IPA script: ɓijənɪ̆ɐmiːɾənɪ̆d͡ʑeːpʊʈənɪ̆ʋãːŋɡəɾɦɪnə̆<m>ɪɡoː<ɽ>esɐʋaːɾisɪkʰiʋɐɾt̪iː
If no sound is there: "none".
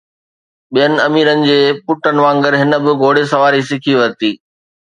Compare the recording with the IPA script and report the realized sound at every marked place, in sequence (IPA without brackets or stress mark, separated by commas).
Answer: b, ɽ